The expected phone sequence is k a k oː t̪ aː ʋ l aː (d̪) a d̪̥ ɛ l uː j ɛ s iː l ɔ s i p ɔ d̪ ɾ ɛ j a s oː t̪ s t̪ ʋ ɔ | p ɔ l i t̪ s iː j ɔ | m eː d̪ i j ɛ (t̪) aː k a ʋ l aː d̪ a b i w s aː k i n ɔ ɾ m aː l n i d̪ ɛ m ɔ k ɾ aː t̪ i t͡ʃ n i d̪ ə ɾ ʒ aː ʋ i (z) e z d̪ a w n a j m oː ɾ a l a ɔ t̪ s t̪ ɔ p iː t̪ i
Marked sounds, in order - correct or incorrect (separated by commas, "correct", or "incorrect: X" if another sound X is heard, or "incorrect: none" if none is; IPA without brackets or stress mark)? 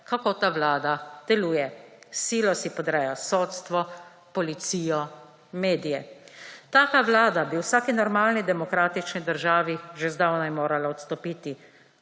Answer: correct, correct, incorrect: ʒ